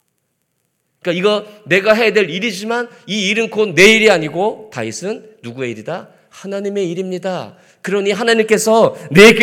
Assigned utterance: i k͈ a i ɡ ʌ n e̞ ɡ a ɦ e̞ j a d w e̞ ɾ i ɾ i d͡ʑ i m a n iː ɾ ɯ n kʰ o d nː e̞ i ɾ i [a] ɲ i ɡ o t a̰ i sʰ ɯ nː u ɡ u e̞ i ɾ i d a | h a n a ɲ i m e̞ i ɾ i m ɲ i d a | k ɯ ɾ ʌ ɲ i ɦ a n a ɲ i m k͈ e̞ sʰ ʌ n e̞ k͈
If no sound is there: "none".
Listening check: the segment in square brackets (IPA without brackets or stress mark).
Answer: a